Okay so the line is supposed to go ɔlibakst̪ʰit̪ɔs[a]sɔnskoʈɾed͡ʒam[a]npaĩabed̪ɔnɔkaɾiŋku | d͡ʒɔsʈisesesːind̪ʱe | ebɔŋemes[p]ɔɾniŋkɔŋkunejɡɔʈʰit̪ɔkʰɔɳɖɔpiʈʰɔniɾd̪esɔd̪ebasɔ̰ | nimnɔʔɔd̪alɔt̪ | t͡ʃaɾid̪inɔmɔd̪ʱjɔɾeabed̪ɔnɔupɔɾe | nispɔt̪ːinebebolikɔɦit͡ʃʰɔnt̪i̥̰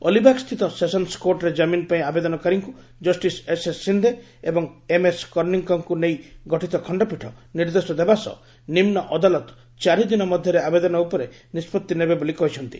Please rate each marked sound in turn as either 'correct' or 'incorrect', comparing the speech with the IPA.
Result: incorrect: e, incorrect: i, incorrect: k

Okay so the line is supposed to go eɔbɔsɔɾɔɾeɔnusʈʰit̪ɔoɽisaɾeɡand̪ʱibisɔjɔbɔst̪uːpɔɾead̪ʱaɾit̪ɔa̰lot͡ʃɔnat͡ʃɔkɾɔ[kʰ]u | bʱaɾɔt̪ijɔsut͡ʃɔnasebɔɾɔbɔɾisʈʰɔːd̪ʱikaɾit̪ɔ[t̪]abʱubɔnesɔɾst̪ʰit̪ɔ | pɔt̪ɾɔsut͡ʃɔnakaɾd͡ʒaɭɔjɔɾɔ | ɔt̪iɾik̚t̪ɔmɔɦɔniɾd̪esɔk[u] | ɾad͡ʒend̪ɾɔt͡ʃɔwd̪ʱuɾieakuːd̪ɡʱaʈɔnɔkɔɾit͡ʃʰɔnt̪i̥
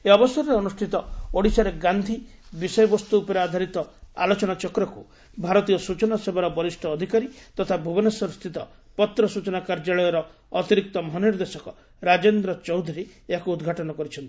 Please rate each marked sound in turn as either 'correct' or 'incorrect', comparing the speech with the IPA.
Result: incorrect: k, incorrect: t̪ʰ, incorrect: ɔ

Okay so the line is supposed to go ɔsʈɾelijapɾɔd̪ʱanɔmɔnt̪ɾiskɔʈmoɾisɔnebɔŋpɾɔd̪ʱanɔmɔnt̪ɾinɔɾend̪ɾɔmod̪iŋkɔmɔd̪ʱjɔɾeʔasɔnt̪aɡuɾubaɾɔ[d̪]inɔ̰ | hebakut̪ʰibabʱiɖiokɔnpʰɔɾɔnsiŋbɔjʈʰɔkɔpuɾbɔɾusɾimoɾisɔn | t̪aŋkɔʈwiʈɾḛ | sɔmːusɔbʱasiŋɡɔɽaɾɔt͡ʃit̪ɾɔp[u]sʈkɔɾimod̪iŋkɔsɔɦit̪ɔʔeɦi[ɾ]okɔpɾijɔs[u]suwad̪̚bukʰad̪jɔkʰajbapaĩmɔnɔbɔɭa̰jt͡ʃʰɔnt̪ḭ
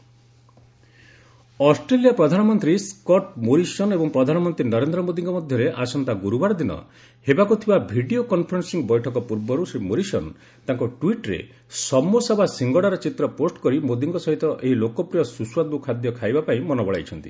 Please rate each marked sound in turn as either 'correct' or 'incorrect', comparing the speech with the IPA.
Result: correct, incorrect: o, incorrect: l, correct

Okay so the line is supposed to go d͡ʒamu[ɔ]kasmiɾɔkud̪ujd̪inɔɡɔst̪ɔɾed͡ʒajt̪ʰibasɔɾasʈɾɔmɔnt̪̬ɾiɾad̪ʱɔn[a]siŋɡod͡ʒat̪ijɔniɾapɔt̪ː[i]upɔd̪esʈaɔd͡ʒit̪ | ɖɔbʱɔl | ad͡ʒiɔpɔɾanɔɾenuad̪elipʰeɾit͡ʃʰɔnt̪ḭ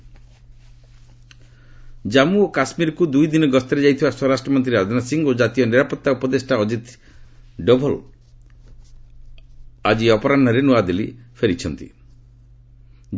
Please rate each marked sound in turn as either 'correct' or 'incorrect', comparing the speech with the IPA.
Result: incorrect: o, correct, incorrect: a

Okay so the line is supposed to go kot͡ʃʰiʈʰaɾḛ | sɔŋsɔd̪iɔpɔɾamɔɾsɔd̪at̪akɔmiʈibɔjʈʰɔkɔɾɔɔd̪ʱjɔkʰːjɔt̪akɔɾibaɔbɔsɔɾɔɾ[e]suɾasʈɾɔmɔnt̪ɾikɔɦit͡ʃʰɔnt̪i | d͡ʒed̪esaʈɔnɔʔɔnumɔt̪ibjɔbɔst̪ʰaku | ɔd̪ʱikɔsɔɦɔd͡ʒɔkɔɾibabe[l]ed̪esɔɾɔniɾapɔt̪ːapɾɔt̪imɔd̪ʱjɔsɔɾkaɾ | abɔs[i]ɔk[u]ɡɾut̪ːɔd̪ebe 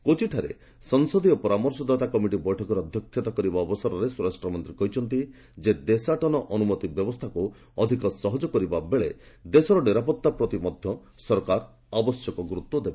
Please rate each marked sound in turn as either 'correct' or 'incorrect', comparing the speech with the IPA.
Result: correct, incorrect: ɭ, incorrect: j, incorrect: ɔ

